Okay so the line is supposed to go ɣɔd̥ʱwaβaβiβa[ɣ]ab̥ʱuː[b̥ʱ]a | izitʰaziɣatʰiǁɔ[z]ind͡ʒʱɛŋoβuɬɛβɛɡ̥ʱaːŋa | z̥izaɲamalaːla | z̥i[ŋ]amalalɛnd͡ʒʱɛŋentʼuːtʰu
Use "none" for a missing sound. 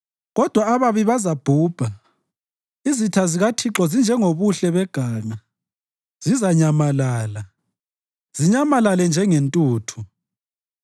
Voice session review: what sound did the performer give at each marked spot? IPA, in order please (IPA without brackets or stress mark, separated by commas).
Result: z, b̥ʱ, z, ɲ